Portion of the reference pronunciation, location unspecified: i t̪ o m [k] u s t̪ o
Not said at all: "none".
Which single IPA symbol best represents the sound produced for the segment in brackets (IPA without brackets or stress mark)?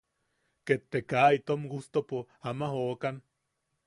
ɡ